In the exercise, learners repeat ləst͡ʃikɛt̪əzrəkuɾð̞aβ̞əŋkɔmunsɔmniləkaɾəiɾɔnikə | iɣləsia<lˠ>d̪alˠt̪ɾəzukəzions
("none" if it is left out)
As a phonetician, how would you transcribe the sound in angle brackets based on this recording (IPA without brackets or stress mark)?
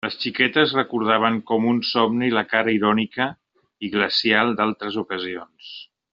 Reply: lˠ